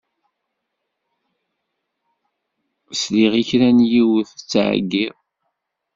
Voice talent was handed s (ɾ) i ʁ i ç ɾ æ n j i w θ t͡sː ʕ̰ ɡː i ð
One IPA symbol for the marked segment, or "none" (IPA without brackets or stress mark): l